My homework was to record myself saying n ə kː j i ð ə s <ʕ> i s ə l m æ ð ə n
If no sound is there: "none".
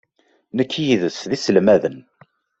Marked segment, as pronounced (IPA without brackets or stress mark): ð